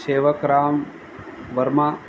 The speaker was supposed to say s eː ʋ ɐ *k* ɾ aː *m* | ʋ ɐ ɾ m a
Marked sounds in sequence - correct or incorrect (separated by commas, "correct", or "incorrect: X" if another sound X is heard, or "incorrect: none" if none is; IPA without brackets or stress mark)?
correct, correct